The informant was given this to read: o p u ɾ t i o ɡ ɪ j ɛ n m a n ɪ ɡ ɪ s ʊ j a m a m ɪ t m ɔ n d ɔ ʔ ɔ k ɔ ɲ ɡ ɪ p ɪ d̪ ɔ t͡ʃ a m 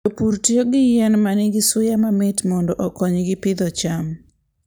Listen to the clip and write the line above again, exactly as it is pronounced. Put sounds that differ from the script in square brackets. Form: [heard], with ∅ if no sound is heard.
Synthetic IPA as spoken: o p u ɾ t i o ɡ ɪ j ɛ n m a n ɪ ɡ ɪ s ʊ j a m a m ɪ t m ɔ n d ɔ ʔ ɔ k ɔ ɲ ɡ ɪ p ɪ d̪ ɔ t͡ʃ a m